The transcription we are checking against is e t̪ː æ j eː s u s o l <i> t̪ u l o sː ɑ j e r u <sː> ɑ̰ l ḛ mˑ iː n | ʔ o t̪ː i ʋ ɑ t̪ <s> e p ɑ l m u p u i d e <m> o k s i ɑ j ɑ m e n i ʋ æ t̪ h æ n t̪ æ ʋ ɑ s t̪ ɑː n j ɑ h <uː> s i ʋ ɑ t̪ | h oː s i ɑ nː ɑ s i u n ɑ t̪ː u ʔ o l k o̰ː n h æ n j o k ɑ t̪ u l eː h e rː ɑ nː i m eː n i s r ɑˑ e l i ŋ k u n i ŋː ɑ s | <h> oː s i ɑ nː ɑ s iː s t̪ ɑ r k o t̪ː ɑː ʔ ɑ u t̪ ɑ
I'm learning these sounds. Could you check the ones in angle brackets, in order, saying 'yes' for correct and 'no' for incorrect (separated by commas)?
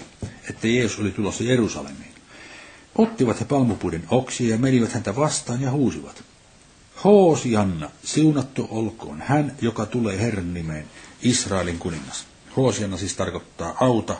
yes, no, no, no, yes, yes